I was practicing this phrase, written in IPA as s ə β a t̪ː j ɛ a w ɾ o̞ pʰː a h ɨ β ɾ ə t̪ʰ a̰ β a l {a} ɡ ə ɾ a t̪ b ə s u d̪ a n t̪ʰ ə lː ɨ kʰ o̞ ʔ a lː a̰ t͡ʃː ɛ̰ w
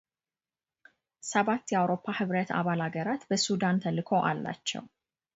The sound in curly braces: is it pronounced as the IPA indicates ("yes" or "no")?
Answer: yes